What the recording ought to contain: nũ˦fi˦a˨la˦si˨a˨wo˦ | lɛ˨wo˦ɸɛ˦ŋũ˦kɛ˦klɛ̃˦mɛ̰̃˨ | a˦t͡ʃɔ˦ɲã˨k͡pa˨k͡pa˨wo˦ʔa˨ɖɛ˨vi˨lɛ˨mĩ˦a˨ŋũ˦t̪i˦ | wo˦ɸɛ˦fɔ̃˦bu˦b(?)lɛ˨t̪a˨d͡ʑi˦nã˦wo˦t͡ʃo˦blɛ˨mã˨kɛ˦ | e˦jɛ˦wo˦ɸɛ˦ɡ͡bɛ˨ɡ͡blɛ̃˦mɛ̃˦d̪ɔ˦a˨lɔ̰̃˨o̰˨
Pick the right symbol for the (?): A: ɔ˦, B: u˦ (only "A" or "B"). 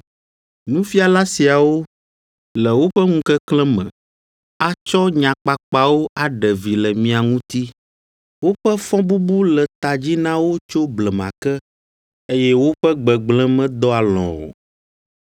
B